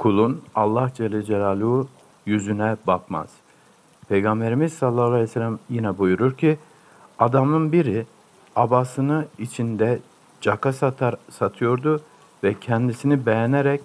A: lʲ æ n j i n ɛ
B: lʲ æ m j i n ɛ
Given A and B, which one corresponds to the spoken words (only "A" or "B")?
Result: B